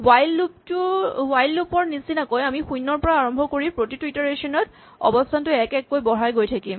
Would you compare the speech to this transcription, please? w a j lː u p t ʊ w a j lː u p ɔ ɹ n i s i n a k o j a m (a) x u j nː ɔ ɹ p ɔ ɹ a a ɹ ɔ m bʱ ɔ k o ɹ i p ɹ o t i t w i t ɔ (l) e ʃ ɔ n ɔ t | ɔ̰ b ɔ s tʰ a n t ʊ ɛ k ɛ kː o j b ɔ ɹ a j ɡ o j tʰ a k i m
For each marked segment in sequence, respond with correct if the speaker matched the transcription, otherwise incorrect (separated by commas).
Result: incorrect, incorrect